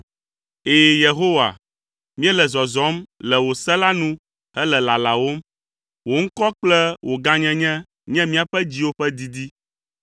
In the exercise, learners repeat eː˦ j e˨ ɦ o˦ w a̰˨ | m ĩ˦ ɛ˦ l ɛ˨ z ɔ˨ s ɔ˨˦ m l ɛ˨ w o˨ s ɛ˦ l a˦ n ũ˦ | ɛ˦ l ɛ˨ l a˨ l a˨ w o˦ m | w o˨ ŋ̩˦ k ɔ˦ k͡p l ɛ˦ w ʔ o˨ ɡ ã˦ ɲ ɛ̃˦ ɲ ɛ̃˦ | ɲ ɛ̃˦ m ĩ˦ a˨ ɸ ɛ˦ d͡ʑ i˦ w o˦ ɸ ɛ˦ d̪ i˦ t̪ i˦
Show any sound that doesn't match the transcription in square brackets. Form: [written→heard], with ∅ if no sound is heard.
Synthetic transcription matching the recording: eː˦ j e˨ ɦ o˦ w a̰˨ | m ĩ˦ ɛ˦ l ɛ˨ z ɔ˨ [s→z] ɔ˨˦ m l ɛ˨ w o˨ s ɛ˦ l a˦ n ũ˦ | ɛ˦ l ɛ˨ l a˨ l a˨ w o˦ m | w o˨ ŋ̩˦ k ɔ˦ k͡p l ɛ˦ w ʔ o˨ ɡ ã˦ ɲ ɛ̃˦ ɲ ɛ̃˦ | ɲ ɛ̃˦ m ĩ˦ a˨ ɸ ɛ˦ d͡ʑ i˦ w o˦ ɸ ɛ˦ d̪ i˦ [t̪→d̪] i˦